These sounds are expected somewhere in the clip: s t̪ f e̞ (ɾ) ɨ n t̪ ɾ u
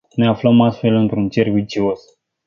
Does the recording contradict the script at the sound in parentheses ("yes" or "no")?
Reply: yes